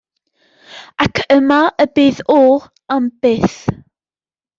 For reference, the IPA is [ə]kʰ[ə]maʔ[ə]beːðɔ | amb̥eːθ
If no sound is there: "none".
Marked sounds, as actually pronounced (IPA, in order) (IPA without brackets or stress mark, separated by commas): a, ə, ə